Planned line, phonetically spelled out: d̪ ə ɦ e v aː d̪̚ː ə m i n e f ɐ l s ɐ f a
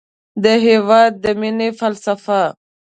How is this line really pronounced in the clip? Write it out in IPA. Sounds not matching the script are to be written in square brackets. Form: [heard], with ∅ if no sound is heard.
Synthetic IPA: d̪ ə ɦ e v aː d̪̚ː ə m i n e f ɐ l s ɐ f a